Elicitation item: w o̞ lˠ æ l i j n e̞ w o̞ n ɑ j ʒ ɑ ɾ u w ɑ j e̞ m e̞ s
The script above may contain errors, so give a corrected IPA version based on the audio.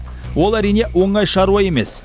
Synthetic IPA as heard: w o̞ lˠ æ ɾ i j n e̞ w o̞ ɴ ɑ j ʃ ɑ ɾ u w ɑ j e̞ m e̞ s